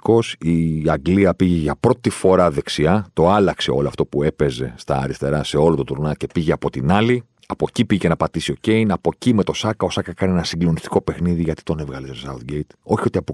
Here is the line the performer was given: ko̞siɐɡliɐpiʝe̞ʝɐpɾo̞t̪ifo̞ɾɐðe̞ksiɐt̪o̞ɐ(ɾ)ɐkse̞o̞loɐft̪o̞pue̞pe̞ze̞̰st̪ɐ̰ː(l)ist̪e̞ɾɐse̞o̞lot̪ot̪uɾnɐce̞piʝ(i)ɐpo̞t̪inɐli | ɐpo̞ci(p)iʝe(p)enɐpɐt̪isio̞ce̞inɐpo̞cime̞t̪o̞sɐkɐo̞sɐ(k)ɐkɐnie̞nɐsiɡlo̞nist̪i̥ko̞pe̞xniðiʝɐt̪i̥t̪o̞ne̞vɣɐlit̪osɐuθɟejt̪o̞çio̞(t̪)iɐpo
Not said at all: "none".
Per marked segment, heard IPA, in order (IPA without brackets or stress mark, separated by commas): l, ɾ, e, p, c, k, t̪